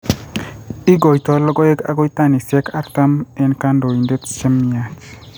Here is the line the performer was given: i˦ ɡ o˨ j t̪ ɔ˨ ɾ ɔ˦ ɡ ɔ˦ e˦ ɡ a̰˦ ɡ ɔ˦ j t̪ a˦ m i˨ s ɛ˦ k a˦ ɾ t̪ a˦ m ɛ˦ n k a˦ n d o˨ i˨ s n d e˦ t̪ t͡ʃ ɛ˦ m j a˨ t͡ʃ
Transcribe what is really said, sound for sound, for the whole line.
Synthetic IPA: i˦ ɡ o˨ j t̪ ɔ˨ l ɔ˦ ɡ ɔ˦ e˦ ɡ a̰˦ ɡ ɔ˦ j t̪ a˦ n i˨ s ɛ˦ k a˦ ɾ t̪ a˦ m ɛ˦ n k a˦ n d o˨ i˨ n d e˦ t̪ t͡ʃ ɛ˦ m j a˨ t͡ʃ